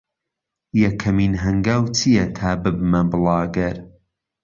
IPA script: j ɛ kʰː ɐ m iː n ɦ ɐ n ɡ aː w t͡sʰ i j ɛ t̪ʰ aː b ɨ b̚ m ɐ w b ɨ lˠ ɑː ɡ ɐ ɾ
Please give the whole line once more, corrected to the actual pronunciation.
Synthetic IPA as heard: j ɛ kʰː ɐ m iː n ɦ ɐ ŋ ɡ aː w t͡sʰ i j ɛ t̪ʰ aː b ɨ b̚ m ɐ b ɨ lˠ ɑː ɡ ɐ ɾ